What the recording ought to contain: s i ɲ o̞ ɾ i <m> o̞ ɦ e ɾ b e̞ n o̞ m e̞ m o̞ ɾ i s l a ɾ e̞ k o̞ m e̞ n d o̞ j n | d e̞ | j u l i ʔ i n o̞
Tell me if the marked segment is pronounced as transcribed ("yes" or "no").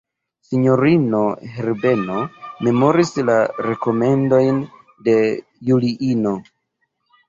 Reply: no